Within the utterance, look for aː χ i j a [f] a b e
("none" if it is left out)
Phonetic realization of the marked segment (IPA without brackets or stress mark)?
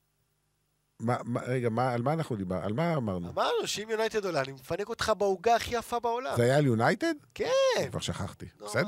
f